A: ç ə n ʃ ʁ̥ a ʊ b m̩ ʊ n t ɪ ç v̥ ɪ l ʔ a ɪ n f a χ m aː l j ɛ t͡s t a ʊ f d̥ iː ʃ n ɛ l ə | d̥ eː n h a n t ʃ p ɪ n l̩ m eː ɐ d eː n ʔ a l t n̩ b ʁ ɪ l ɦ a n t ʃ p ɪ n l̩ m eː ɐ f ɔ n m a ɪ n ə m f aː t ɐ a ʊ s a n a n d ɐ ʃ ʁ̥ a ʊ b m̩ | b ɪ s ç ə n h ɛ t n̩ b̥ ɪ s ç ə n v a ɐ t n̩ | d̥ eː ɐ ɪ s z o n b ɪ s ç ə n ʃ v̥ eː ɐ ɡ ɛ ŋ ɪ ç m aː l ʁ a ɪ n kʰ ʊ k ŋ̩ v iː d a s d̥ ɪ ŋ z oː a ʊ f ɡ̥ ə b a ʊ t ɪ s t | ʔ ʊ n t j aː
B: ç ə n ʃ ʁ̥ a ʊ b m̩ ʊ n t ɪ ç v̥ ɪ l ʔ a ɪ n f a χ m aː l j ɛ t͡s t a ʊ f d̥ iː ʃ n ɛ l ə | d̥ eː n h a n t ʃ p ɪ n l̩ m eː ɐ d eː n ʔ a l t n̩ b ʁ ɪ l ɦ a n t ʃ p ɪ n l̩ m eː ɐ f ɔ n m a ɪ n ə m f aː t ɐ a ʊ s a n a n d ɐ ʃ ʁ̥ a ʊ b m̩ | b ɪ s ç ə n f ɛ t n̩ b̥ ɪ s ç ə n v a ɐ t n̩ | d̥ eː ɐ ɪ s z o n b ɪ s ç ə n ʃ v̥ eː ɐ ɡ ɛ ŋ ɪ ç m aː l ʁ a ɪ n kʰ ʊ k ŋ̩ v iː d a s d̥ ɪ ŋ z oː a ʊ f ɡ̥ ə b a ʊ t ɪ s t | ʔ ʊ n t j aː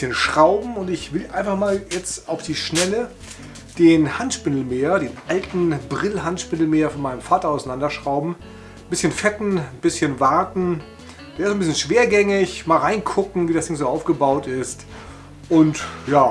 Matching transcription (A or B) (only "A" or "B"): B